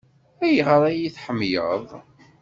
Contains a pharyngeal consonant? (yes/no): yes